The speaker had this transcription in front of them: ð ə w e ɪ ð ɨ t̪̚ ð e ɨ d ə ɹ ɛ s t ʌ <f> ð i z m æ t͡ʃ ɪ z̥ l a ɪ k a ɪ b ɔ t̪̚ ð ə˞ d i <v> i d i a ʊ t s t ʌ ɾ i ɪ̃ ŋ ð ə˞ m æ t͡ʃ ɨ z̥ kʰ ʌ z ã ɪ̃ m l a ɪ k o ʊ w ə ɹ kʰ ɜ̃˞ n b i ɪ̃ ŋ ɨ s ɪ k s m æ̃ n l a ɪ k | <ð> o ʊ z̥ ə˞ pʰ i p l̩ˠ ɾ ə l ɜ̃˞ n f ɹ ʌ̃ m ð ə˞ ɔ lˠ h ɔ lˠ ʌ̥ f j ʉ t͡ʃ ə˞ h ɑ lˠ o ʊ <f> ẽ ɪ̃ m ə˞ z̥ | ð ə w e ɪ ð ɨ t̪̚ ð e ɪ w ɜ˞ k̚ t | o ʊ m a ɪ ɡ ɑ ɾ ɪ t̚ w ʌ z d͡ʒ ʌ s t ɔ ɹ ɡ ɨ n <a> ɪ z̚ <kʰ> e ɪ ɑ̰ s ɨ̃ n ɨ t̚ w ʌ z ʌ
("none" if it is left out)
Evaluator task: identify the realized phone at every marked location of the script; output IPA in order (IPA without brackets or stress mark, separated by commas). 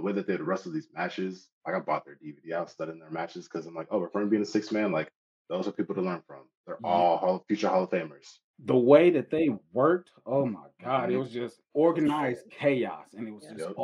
v, v, ð, f, a, kʰ